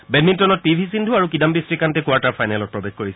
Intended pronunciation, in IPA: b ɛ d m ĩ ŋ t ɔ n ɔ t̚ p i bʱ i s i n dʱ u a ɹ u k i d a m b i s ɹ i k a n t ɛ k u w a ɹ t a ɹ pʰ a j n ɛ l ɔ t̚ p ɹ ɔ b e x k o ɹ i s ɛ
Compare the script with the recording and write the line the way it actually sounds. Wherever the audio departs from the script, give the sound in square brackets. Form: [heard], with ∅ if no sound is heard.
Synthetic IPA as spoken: b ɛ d m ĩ [n] t ɔ n ɔ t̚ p i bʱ i s i n dʱ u a ɹ u k i d a m b i s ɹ i k a n t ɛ k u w a ɹ t a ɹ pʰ a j n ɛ l ɔ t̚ p ɹ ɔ b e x k o ɹ i s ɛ

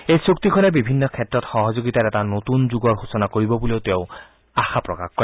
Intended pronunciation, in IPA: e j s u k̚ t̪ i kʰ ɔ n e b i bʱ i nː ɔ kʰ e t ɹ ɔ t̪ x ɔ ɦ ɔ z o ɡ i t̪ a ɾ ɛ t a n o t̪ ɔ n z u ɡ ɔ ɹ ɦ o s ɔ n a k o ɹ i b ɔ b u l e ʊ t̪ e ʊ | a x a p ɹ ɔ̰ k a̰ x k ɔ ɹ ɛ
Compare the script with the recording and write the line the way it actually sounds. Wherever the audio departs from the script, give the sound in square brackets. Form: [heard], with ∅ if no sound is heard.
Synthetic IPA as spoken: e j s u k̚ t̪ i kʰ ɔ n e b i bʱ i nː ɔ kʰ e t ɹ ɔ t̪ x ɔ ɦ ɔ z o ɡ i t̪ a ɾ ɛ t a n o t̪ [u] n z u ɡ ɔ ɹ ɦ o s ɔ n a k o ɹ i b ɔ b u l e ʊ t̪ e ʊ | a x a p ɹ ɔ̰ k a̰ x k ɔ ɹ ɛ

